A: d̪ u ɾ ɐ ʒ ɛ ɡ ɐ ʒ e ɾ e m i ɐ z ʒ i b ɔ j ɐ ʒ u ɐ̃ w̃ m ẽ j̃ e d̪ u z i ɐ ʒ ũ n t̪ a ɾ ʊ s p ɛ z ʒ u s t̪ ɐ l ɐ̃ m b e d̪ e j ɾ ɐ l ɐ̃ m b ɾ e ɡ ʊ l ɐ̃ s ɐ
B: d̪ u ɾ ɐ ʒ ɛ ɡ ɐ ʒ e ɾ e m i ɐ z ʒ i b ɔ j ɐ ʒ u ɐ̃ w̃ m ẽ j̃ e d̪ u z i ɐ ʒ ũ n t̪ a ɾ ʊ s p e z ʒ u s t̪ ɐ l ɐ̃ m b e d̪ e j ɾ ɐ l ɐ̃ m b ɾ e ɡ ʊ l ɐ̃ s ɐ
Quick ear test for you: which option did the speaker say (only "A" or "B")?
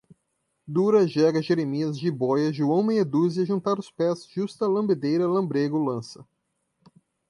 A